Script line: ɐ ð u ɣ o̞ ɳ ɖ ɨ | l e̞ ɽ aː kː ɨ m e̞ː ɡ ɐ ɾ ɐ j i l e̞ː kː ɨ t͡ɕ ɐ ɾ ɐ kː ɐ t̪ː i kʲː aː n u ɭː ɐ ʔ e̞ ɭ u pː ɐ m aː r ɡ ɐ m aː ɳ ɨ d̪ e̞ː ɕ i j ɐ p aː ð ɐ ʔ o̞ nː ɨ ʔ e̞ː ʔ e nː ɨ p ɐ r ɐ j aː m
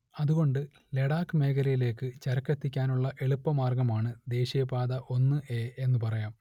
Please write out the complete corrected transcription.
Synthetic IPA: ɐ ð u ɣ o̞ ɳ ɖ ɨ | l e̞ ɽ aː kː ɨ m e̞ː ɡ ɐ ɾ ɐ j i l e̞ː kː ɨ t͡ɕ ɐ ɾ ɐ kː ɐ t̪ː i kʲː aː n u ɭː ɐ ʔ e̞ ɭ u pː ɐ m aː r ɡ ɐ m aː ɳ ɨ d̪ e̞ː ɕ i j ɐ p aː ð ɐ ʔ o̞ nː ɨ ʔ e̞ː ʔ e nː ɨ p ɐ r ɐ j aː m